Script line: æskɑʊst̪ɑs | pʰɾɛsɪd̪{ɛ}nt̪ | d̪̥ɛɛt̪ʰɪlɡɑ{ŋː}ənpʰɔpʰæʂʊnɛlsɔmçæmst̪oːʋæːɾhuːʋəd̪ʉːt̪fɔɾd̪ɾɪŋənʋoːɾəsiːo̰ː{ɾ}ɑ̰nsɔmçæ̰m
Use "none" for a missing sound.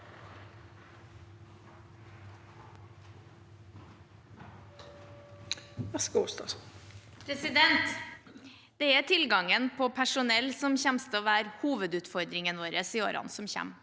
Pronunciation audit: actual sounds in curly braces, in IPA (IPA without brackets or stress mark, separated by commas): ɛ, ŋ, ɾ